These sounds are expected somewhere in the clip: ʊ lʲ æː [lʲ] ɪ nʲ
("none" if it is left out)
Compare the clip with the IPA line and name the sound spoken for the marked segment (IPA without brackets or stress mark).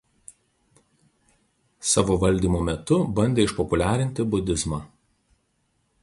ɾʲ